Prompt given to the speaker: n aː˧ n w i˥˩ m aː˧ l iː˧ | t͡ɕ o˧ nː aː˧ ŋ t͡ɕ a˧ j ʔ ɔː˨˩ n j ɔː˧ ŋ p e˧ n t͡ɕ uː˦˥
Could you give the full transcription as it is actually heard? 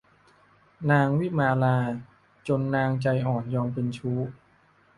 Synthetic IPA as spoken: n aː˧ ŋ w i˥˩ m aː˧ l aː˧ | t͡ɕ o˧ nː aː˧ ŋ t͡ɕ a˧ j ʔ ɔː˨˩ n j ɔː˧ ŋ p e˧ n t͡ɕʰ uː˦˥

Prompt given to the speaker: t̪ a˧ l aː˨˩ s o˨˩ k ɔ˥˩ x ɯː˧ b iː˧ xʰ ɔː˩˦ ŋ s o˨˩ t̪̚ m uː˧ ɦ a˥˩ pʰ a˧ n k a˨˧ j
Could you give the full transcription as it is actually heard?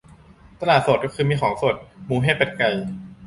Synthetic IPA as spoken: t̪ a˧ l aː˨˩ s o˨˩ k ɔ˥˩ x ɯː˧ m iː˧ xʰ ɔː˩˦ ŋ s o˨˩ t̪̚ m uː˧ ɦ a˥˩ p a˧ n k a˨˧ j

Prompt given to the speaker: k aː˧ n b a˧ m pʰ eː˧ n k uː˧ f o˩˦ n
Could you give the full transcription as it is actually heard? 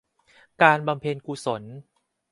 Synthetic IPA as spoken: k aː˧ n b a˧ m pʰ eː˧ n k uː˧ s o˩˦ n

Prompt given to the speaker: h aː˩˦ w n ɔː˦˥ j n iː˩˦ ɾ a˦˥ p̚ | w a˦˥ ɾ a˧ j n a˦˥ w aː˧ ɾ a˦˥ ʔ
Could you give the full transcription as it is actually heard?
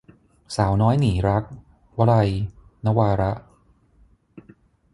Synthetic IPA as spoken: s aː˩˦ w n ɔː˦˥ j n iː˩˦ ɾ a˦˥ k̚ | w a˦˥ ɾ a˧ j n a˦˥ w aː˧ ɾ a˦˥ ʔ

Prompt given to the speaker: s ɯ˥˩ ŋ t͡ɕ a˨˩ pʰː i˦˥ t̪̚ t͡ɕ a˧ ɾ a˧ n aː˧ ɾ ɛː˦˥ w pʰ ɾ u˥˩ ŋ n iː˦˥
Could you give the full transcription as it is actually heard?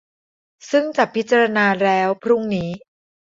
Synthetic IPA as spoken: s ɯ˥˩ ŋ t͡ɕ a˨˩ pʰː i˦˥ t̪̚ t͡ɕ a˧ ɾ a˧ n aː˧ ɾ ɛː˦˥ w pʰ ɾ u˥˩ ŋ n iː˦˥

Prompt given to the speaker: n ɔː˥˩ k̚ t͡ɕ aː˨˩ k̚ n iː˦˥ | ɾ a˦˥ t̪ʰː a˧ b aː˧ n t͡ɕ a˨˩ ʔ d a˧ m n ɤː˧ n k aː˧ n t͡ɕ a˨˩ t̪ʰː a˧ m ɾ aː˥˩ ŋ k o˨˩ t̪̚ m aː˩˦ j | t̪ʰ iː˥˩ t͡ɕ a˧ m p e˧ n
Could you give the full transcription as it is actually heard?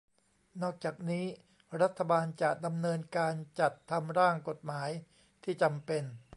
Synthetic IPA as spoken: n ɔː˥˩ k̚ t͡ɕ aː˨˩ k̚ n iː˦˥ | ɾ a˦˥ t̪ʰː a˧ b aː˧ n t͡ɕ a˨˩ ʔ d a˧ m n ɤː˧ n k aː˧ n t͡ɕ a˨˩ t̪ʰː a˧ m ɾ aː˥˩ ŋ k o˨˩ t̪̚ m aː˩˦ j | t̪ʰ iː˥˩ t͡ɕ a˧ m p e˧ n

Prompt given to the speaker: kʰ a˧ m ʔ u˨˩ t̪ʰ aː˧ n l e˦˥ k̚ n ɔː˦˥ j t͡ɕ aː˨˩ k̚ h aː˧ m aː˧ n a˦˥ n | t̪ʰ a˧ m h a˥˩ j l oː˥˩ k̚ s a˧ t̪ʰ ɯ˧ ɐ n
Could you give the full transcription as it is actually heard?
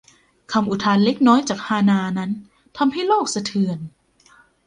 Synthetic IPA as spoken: kʰ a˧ m ʔ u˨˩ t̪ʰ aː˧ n l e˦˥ k̚ n ɔː˦˥ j t͡ɕ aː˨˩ k̚ h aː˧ n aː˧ n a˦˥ n | t̪ʰ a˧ m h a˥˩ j l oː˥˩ k̚ s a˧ t̪ʰ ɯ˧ ə n

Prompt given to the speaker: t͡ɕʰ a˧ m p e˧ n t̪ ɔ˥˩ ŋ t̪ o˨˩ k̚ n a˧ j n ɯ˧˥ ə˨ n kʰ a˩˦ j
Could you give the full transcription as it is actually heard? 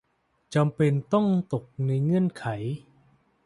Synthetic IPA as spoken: t͡ɕ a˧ m p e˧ n t̪ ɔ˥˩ ŋ t̪ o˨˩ k̚ n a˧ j ŋ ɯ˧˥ ə˨ n kʰ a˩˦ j

